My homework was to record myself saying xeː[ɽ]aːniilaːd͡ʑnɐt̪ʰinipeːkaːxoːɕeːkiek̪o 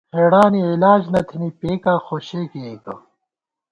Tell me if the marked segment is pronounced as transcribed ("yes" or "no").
yes